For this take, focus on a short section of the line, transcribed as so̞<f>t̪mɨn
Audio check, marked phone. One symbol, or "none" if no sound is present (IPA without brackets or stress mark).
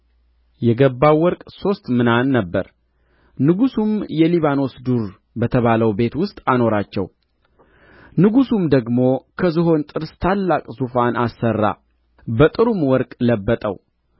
s